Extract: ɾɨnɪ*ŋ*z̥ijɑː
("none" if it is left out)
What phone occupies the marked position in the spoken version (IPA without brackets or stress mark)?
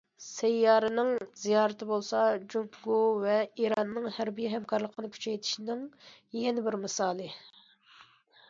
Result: ŋ